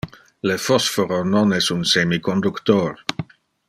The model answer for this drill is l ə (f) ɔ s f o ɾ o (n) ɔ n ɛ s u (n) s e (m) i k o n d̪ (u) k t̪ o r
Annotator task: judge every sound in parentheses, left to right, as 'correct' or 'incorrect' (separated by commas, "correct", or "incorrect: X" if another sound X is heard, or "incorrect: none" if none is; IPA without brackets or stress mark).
correct, correct, correct, correct, correct